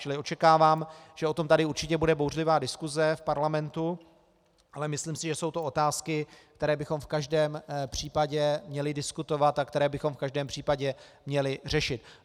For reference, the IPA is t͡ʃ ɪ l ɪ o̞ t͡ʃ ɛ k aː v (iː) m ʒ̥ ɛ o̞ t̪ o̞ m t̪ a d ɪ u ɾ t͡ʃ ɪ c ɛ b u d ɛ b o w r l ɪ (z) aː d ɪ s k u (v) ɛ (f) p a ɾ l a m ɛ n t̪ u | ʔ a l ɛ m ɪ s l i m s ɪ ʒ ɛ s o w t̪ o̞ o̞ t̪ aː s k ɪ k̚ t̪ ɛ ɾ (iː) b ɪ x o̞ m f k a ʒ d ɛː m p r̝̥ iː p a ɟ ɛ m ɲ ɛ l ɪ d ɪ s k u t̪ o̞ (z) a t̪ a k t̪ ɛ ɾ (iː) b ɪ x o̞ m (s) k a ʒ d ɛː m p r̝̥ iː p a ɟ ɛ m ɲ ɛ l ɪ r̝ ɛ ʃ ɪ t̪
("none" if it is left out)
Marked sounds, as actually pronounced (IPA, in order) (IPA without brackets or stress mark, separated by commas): aː, v, z, f, ɛː, v, ɛː, f